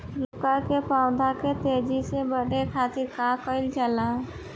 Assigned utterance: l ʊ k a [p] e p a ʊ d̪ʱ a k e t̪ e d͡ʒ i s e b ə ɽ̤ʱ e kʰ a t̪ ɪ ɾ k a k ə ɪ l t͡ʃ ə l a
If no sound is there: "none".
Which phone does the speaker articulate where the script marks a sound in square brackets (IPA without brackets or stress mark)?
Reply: k